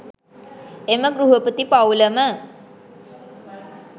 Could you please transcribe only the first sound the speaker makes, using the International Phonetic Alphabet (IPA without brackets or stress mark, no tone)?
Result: e